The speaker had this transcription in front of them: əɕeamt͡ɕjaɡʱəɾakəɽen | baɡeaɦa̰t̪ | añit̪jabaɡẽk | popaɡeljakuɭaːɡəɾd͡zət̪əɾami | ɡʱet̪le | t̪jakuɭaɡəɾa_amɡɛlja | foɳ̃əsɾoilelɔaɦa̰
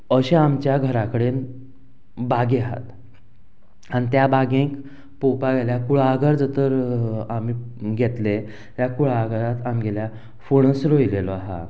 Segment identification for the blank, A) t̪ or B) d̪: A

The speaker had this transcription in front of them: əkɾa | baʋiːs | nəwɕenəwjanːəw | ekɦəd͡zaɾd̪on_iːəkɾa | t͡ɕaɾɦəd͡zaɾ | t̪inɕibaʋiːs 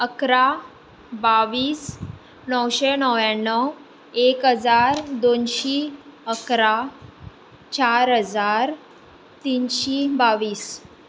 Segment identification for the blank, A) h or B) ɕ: B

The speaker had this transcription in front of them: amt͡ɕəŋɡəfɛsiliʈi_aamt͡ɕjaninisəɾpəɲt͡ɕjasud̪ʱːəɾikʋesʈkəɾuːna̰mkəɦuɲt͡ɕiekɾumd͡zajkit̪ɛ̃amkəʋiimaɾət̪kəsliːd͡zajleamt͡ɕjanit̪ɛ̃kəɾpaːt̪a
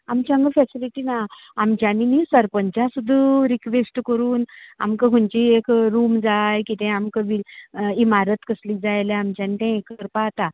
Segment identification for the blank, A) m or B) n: B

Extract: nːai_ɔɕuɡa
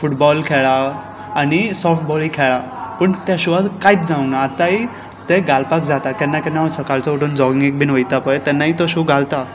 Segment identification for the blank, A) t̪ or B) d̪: A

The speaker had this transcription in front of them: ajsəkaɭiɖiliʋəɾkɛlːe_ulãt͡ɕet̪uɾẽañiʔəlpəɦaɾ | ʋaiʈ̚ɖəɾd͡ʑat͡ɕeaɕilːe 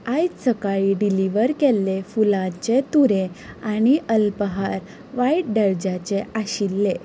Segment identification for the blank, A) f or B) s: A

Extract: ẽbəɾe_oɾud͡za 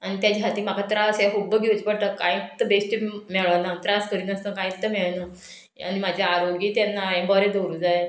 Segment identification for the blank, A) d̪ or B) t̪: A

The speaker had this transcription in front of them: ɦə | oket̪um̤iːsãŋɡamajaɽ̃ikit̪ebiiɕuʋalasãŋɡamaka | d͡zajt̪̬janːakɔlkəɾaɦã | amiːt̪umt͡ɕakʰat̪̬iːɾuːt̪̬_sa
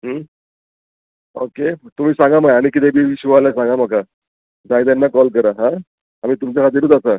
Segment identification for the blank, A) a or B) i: A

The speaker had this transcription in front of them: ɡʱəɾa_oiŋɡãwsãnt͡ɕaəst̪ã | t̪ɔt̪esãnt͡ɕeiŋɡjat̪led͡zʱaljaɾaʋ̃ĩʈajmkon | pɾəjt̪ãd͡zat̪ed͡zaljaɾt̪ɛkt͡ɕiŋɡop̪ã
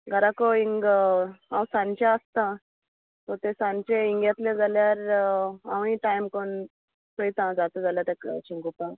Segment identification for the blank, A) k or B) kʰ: A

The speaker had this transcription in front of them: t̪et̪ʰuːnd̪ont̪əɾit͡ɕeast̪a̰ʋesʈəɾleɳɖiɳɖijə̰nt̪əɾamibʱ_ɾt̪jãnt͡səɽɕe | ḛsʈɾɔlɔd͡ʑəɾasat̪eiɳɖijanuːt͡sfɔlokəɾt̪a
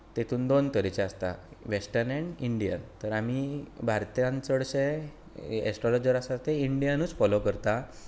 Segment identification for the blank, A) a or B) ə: A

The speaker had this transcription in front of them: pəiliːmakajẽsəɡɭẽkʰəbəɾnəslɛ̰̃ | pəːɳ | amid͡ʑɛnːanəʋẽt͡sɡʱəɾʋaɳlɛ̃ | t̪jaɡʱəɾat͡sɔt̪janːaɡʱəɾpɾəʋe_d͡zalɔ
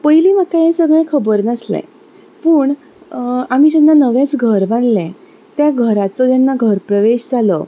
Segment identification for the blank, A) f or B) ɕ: B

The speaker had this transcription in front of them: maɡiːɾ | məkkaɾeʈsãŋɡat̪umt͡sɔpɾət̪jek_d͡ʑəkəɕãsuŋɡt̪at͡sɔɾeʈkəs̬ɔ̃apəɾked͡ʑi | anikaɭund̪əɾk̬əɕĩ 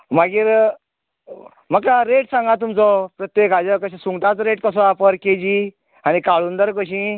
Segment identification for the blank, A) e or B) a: B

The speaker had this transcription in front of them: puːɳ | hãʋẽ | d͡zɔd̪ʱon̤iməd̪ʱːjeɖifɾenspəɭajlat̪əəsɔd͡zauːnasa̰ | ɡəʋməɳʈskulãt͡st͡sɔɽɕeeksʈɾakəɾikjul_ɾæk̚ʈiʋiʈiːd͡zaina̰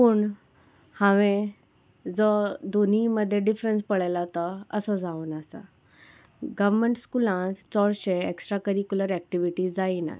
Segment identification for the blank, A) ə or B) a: A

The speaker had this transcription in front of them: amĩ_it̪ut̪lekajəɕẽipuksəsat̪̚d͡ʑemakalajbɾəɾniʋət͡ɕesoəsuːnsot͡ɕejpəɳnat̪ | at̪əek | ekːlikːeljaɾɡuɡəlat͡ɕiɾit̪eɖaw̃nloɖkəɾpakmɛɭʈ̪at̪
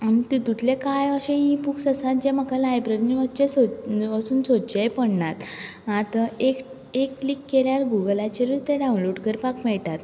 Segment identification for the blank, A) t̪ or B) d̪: A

